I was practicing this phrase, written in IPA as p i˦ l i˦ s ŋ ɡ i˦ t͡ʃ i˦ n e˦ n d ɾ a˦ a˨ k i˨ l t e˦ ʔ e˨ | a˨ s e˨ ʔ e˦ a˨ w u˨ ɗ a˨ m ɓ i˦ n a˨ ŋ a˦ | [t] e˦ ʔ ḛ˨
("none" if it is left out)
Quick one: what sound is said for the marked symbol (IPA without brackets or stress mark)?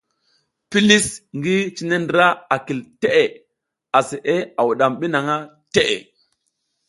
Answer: t